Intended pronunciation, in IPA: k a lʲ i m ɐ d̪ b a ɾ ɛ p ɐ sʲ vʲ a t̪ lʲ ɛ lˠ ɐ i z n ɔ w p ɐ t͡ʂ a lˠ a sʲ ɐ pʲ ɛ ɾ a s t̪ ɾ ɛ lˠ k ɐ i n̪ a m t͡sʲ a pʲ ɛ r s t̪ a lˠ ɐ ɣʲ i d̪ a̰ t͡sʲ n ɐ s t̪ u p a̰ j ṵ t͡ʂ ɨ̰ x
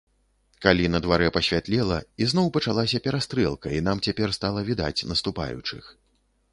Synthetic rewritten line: k a lʲ i n ɐ d̪ v a ɾ ɛ p ɐ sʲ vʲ a t̪ lʲ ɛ lˠ ɐ i z n ɔ w p ɐ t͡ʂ a lˠ a sʲ ɐ pʲ ɛ ɾ a s t̪ ɾ ɛ lˠ k ɐ i n̪ a m t͡sʲ a pʲ ɛ r s t̪ a lˠ ɐ vʲ i d̪ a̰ t͡sʲ n ɐ s t̪ u p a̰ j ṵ t͡ʂ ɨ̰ x